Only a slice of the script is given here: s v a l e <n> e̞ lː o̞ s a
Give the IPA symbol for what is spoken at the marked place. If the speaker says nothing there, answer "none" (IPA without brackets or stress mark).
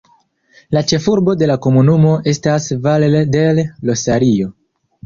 d